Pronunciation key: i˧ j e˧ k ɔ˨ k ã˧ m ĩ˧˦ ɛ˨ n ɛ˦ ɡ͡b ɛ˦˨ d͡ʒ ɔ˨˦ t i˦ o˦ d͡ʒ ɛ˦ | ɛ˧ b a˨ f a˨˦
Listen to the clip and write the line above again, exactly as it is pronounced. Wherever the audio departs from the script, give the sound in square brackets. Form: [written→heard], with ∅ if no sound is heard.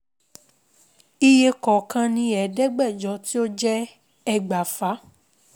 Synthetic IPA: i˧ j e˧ k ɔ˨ k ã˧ [m→n] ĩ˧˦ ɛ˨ [n→d] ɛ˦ ɡ͡b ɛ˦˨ d͡ʒ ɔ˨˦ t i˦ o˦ d͡ʒ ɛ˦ | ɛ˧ [b→ɡ͡b] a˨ f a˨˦

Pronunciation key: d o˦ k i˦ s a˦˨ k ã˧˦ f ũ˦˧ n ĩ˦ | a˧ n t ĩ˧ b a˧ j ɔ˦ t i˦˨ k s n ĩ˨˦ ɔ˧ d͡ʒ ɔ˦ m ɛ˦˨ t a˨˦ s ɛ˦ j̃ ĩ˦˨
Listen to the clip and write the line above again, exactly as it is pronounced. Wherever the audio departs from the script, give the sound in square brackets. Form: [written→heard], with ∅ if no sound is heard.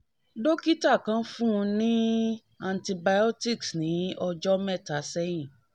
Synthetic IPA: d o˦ k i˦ [s→t] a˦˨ k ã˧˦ f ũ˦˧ n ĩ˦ | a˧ n t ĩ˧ b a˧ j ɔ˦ t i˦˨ k s n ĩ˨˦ ɔ˧ d͡ʒ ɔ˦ m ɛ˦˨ t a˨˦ s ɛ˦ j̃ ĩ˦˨

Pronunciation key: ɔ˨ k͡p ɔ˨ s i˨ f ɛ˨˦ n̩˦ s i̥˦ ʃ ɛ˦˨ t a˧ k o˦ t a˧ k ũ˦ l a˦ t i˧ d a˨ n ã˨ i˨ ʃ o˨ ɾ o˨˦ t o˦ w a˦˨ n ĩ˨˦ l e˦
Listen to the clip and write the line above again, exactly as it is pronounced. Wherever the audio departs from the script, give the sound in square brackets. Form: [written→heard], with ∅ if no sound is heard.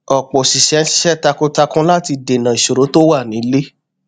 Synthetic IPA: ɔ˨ k͡p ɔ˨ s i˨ [f→ʃ] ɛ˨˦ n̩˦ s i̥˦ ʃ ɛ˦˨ t a˧ k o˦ t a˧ k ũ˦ l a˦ t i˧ d [a˨→e˨] n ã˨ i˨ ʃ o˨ ɾ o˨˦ t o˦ w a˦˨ n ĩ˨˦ l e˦

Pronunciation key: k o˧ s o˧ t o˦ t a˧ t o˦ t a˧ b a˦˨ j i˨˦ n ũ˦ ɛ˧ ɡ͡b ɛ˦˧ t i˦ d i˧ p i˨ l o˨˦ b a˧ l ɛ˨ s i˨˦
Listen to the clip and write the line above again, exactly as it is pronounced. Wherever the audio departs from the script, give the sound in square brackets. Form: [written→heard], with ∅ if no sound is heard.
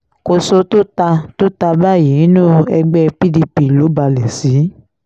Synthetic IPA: k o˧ s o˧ t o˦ t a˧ t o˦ t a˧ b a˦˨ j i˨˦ n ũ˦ ɛ˧ ɡ͡b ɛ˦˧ [t→p] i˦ d i˧ p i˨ l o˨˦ b a˧ l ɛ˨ s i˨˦

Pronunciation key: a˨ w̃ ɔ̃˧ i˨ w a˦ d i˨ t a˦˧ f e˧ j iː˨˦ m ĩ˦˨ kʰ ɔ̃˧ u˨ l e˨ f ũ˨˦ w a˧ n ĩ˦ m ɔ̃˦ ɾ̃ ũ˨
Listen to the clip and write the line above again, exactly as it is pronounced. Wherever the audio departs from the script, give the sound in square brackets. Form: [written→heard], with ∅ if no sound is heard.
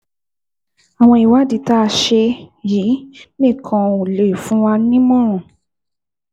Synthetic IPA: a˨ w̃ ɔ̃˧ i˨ w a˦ d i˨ t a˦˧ [f→ʃ] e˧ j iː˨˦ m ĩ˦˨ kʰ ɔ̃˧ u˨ l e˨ f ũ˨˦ w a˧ n ĩ˦ m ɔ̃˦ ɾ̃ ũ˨

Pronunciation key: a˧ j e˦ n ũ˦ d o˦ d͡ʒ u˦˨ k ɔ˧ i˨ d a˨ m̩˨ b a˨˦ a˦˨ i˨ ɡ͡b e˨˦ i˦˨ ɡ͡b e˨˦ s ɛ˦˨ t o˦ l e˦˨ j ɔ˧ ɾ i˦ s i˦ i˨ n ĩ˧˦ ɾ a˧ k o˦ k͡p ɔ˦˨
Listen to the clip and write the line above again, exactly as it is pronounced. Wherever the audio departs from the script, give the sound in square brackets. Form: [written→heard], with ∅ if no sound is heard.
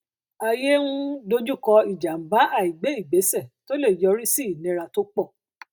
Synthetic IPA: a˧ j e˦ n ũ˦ d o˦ d͡ʒ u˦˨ k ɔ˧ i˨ [d→d͡ʒ] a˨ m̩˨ b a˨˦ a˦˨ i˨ ɡ͡b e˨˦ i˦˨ ɡ͡b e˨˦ s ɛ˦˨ t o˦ l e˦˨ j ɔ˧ ɾ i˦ s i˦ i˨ n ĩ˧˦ ɾ a˧ [k→t] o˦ k͡p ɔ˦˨

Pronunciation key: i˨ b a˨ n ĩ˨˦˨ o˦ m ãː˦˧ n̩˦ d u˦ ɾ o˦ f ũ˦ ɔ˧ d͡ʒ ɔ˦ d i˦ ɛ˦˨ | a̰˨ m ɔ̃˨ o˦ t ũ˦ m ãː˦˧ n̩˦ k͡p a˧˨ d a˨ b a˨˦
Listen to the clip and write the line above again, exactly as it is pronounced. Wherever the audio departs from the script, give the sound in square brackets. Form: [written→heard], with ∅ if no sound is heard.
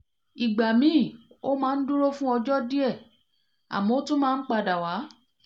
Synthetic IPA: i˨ [b→ɡ͡b] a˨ [n→m] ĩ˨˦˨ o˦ m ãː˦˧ n̩˦ d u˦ ɾ o˦ f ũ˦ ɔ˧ d͡ʒ ɔ˦ d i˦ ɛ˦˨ | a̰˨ m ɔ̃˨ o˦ t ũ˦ m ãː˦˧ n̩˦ k͡p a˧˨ d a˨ [b→w] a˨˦

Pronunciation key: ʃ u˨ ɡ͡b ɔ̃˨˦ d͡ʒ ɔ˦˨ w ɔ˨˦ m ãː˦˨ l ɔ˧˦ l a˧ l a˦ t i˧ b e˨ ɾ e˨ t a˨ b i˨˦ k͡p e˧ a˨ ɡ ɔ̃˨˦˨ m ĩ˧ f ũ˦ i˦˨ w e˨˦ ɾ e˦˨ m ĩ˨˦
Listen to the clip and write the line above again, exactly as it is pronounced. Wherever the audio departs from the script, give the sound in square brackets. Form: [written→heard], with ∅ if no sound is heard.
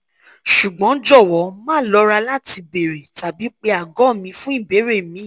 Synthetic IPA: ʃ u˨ ɡ͡b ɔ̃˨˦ d͡ʒ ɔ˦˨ w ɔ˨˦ m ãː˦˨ l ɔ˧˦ [l→ɾ] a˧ l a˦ t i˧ b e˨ ɾ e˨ t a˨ b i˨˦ k͡p e˧ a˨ ɡ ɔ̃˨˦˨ m ĩ˧ f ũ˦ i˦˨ [w→b] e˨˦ ɾ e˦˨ m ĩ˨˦

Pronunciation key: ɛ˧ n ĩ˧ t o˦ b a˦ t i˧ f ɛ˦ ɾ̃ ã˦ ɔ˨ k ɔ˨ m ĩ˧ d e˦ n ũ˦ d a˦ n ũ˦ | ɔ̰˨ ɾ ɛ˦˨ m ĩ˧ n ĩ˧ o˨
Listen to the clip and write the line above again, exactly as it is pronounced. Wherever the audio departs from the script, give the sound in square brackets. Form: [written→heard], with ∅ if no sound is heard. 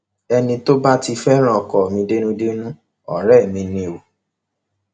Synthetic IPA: ɛ˧ n ĩ˧ t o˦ b a˦ t i˧ f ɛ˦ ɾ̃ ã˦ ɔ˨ k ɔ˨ m ĩ˧ d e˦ n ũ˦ d [a˦→e˦] n ũ˦ | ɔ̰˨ ɾ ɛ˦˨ m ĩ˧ n ĩ˧ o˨

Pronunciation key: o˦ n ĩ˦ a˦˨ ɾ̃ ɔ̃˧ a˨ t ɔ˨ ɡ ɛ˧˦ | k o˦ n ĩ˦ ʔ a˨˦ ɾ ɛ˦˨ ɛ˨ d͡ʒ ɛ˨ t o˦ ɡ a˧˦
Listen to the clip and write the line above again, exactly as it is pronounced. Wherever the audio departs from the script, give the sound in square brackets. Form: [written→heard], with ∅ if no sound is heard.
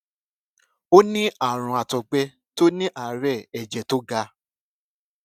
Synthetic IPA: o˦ n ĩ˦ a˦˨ ɾ̃ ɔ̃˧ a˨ t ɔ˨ [ɡ→ɡ͡b] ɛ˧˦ | [k→t] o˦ n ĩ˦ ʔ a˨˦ ɾ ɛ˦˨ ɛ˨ d͡ʒ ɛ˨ t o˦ ɡ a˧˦

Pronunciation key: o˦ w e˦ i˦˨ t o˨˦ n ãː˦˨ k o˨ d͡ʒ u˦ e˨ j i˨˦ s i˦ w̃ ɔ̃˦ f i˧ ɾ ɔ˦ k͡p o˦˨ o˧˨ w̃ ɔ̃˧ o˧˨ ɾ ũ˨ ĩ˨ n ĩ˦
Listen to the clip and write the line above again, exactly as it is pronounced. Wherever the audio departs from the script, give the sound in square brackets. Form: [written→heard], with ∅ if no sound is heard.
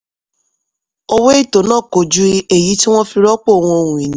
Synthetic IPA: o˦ w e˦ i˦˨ t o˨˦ n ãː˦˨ k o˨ d͡ʒ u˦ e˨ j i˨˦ [s→t] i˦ w̃ ɔ̃˦ f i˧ ɾ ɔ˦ k͡p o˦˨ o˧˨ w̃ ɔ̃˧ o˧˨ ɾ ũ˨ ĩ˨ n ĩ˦

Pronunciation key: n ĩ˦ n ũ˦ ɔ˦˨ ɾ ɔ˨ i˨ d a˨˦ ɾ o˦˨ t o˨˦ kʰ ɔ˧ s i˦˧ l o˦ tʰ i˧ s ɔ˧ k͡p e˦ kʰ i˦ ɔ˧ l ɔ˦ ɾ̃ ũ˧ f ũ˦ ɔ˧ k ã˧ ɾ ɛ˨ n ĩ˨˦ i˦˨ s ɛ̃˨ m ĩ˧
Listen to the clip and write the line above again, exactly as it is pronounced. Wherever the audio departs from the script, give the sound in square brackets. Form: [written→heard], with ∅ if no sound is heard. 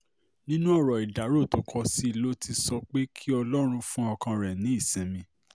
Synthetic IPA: n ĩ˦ n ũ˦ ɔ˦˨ ɾ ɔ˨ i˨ d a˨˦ ɾ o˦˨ t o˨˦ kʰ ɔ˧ s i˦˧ l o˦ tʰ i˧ s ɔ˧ k͡p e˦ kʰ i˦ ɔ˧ l ɔ˦ ɾ̃ ũ˧ f ũ˦ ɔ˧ k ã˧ ɾ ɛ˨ n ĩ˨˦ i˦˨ s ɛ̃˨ m ĩ˧

